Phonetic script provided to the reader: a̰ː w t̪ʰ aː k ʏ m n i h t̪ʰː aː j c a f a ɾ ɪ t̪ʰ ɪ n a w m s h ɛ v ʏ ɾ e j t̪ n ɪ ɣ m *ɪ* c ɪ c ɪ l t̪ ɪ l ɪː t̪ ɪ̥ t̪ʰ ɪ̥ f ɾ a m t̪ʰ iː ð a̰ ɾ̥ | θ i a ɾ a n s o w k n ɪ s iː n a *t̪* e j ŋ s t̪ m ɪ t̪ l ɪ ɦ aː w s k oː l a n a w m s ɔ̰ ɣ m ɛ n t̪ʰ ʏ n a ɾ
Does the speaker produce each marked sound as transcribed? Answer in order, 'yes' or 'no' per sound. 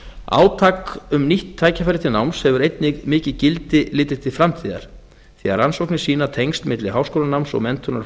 no, no

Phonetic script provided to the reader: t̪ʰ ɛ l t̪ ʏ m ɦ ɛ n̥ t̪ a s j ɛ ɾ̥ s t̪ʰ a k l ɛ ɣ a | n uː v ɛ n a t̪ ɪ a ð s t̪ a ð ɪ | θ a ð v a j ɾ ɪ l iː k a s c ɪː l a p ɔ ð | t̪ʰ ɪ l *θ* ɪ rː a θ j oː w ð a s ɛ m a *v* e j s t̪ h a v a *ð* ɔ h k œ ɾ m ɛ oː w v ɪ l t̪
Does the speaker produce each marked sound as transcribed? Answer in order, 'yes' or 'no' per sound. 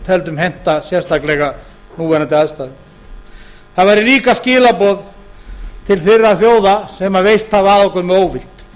yes, yes, yes

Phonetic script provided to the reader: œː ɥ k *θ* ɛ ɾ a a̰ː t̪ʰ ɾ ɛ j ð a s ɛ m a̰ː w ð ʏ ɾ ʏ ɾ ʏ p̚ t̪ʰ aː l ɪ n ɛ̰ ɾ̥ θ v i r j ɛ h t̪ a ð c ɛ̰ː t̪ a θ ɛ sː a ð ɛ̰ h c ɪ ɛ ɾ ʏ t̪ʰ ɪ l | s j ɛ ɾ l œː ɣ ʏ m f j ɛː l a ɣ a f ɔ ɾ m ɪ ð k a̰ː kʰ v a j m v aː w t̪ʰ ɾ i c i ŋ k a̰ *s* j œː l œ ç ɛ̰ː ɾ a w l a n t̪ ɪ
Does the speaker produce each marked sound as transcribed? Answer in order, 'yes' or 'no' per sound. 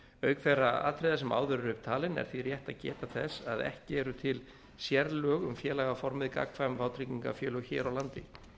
no, no

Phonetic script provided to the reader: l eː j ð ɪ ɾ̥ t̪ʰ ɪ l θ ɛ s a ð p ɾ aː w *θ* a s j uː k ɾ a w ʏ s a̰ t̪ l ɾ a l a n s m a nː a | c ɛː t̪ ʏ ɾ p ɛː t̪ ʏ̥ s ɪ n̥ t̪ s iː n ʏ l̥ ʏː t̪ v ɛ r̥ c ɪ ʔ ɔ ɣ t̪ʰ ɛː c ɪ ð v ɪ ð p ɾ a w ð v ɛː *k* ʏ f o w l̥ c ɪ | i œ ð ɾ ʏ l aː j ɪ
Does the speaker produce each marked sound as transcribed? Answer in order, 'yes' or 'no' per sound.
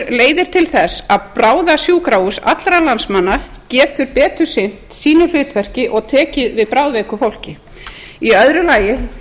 no, yes

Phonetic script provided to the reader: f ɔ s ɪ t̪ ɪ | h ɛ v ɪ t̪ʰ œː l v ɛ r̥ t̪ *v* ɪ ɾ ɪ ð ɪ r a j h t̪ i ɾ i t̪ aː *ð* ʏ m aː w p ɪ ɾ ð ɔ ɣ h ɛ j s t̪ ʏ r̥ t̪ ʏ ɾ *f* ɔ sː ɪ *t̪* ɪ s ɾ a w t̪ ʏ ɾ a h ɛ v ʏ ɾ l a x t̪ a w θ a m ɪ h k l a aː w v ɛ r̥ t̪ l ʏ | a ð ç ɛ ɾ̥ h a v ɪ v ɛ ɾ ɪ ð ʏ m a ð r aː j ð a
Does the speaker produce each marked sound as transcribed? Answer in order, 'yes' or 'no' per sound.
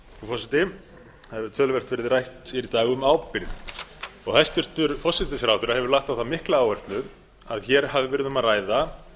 yes, no, yes, yes

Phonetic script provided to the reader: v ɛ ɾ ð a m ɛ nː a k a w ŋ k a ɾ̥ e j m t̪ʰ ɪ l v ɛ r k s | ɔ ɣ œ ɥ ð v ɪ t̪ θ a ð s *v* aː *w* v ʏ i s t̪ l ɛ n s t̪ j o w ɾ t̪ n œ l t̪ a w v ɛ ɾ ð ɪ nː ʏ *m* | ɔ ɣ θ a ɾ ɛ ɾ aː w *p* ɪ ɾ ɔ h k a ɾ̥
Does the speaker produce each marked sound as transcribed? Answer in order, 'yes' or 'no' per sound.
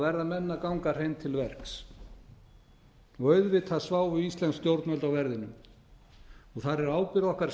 yes, yes, yes, yes

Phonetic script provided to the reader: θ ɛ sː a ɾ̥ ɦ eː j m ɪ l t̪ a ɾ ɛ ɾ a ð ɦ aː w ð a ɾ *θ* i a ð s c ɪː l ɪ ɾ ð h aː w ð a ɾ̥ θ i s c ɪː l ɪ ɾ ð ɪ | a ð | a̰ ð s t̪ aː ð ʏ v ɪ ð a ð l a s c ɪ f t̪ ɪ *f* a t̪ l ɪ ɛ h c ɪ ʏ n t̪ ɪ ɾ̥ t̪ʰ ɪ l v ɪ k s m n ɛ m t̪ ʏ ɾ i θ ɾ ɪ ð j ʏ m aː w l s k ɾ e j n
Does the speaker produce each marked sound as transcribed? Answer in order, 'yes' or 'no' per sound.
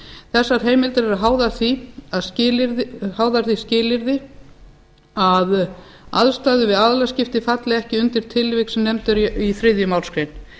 yes, yes

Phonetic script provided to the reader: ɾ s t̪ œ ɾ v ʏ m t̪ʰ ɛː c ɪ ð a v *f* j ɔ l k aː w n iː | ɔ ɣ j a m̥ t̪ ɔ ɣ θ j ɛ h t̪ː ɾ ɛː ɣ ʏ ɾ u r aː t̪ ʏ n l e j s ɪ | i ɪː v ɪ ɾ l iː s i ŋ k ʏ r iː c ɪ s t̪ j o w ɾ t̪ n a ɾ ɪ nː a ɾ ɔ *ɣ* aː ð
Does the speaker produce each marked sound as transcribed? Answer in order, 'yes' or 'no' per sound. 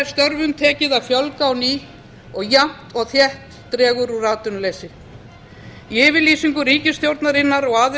yes, yes

